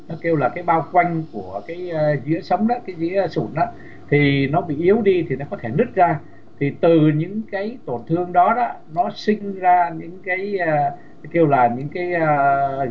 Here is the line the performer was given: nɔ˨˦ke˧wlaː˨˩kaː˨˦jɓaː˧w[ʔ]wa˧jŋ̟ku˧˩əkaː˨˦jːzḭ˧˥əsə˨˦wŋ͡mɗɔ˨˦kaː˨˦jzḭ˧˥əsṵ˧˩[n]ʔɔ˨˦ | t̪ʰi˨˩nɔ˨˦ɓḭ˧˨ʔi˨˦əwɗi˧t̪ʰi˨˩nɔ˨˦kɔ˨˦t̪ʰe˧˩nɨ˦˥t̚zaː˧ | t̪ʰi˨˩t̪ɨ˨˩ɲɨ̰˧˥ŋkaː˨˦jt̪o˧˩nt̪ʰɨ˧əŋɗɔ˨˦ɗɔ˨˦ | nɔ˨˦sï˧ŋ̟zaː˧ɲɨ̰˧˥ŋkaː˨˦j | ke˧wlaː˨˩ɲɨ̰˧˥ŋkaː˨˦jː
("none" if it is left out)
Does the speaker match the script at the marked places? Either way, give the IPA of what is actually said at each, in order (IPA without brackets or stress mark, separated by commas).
k, n